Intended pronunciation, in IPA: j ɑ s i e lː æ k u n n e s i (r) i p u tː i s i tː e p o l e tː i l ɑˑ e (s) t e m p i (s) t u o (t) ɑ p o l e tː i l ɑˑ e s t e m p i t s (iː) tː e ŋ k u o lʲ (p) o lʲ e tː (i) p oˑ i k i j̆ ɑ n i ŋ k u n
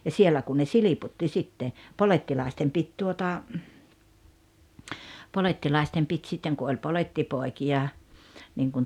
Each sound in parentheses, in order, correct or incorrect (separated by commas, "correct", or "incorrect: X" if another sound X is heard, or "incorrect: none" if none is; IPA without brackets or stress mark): incorrect: l, correct, incorrect: t, correct, incorrect: i, correct, correct